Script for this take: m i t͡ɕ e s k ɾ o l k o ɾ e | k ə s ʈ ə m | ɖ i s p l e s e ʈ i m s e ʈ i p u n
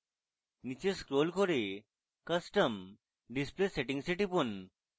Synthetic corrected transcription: n i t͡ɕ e s k ɾ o l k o ɾ e | k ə s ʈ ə m | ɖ i s p l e s e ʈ i ŋ s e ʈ i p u n